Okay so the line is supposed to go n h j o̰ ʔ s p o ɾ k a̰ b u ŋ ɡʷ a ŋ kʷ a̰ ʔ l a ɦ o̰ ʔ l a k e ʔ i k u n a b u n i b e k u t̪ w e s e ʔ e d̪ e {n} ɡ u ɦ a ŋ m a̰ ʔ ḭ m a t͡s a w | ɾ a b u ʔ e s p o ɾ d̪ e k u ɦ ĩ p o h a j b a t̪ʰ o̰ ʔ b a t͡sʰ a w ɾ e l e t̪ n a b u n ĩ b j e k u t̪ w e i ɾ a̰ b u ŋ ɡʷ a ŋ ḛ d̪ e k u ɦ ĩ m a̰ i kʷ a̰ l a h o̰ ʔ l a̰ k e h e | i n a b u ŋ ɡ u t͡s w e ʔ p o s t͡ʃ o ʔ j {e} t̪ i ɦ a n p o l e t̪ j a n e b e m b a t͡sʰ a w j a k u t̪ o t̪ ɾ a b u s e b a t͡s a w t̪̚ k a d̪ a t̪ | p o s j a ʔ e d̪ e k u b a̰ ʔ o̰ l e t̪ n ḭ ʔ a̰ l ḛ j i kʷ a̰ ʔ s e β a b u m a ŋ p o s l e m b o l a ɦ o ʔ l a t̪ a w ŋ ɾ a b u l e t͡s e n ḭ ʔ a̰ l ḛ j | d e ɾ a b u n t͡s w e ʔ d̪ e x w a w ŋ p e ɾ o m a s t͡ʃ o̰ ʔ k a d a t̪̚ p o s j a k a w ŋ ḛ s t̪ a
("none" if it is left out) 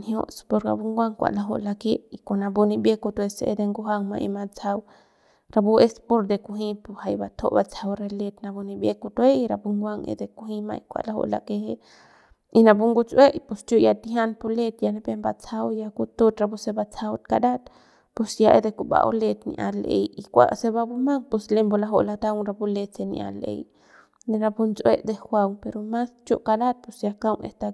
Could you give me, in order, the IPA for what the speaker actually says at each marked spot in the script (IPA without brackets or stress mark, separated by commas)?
ŋ, a